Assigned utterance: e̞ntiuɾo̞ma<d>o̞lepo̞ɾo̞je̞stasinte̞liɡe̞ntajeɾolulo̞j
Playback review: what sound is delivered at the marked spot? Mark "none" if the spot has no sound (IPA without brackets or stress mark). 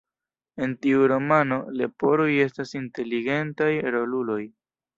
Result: n